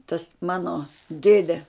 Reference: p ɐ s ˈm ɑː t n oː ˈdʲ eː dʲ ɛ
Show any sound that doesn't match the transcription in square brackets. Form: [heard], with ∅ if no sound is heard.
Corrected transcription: [t] ɐ s ˈm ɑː [∅] n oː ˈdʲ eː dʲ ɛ